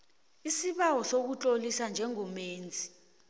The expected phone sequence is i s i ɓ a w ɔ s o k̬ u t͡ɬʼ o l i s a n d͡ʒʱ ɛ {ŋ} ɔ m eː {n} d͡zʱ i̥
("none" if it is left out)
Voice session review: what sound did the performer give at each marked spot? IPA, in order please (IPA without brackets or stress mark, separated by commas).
ŋ, n